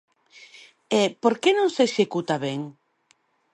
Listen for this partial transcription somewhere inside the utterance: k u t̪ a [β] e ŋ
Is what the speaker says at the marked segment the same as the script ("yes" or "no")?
yes